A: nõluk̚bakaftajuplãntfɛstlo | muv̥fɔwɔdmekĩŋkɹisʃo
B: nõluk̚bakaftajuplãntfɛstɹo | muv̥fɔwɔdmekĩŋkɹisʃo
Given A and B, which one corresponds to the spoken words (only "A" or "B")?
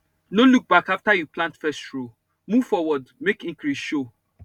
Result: B